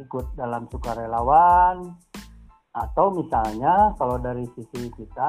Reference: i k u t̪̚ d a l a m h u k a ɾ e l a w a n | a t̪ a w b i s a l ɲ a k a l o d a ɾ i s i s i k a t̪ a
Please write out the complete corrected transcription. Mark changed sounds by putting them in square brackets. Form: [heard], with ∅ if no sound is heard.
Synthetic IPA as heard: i k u t̪̚ d a l a m [s] u k a ɾ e l a w a n | a t̪ a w [m] i s a l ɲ a k a l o d a ɾ i s i s i k [i] t̪ a